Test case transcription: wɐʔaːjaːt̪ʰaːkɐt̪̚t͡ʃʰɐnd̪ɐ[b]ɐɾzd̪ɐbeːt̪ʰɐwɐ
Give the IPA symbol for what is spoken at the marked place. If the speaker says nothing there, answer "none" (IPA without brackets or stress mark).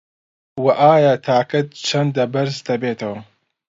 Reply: b